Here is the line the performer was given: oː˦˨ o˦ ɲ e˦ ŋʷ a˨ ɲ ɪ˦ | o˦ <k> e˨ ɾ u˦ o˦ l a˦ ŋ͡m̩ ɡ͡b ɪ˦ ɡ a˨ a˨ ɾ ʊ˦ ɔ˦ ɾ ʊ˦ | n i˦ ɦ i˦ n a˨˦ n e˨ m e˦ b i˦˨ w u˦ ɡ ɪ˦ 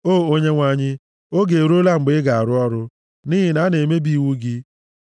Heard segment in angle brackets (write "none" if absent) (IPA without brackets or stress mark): ɡ